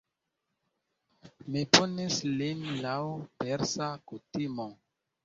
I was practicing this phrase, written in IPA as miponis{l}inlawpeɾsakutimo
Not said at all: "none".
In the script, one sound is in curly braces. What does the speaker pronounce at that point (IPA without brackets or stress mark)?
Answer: l